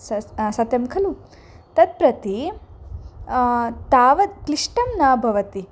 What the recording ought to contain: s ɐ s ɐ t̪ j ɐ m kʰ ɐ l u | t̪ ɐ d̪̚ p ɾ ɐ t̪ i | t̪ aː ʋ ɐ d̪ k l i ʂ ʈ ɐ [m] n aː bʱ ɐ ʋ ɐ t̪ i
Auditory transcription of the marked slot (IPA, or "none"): m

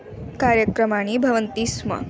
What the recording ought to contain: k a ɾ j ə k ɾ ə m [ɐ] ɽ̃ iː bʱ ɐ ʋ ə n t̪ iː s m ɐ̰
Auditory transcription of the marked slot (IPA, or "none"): a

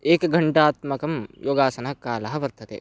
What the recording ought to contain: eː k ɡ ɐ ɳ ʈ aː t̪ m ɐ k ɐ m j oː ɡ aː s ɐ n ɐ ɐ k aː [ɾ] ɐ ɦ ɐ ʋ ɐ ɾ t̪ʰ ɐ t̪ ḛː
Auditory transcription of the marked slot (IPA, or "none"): l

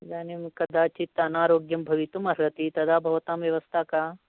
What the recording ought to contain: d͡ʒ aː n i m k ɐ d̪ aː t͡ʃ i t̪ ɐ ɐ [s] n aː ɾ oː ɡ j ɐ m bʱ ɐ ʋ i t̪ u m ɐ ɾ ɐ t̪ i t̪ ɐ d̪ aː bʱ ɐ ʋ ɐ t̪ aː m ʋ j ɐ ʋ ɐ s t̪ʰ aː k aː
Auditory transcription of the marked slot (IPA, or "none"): none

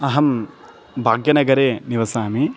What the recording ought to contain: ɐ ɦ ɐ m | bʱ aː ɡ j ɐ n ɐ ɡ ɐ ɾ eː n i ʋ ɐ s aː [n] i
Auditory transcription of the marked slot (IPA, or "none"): m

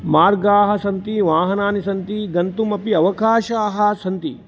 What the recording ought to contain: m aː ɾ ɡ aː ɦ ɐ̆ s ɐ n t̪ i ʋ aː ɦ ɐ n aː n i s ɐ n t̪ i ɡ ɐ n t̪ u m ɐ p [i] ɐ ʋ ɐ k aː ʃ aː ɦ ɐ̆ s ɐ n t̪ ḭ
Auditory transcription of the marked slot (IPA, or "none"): i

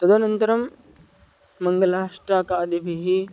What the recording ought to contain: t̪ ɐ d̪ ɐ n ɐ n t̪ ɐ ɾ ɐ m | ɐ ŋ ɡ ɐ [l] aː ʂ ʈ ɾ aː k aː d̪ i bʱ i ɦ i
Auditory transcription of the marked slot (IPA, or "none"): l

